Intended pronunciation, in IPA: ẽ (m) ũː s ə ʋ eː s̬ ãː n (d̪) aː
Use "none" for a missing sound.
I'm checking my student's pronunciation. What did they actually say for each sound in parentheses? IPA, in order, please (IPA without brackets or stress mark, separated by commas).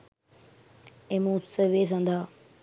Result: m, d̪